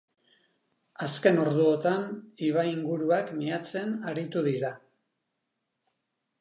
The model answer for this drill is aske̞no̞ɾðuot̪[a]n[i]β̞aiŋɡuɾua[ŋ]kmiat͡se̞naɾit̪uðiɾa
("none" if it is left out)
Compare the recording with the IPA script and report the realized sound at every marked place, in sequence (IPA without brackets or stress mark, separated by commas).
a, i, none